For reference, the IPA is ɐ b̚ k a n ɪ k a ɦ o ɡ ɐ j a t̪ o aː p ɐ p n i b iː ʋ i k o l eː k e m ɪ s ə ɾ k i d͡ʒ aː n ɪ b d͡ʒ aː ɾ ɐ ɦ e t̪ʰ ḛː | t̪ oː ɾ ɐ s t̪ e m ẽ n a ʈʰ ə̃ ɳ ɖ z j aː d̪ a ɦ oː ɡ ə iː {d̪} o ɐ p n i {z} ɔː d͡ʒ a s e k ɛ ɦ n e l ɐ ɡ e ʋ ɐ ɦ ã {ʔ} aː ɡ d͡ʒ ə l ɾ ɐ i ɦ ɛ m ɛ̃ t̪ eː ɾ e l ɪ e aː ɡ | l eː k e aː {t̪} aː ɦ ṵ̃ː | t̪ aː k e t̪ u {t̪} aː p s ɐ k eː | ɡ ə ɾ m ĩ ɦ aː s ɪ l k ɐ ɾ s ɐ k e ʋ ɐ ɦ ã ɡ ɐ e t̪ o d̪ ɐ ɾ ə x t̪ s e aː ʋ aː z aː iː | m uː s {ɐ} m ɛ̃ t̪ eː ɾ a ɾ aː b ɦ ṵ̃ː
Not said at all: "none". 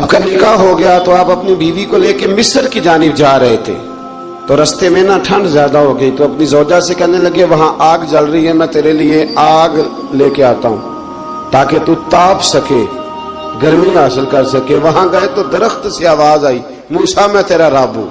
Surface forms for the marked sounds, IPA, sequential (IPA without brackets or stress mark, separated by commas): t̪, z, ʔ, t̪, t̪, a